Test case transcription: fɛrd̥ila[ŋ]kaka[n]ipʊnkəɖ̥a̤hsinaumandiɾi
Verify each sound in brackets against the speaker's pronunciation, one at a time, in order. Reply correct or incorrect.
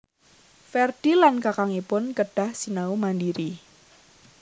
incorrect, incorrect

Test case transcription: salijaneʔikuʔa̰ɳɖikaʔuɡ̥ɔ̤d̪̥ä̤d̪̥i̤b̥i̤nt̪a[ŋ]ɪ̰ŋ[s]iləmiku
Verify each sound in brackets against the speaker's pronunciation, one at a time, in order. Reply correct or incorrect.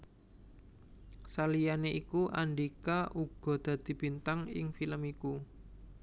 correct, incorrect

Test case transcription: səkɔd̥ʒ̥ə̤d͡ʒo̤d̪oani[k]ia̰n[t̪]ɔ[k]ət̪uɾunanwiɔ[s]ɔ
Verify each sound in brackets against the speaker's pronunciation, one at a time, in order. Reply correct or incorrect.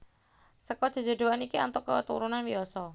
correct, correct, correct, correct

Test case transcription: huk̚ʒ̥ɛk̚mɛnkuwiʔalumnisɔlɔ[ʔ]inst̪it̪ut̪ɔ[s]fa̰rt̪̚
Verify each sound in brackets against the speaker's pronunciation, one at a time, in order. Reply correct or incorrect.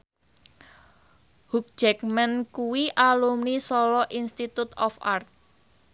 correct, incorrect

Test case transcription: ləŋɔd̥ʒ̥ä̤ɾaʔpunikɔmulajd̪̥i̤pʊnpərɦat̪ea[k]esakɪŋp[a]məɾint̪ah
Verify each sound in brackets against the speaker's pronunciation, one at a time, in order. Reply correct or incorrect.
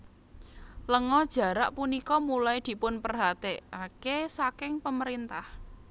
correct, incorrect

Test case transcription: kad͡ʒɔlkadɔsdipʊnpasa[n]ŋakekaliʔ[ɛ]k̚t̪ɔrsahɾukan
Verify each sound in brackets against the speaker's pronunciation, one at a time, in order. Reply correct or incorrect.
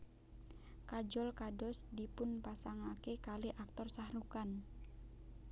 incorrect, incorrect

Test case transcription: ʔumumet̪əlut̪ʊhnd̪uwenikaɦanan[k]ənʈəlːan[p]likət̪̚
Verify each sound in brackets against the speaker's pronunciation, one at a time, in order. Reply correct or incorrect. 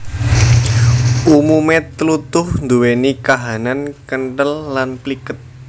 correct, correct

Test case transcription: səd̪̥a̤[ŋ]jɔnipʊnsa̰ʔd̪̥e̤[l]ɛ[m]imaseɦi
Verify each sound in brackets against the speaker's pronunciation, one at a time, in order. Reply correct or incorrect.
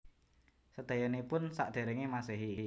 incorrect, incorrect, incorrect

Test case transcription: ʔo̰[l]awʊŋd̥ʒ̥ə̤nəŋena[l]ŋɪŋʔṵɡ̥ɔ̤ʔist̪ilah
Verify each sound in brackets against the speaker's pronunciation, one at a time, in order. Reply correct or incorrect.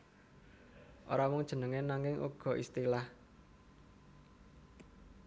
incorrect, incorrect

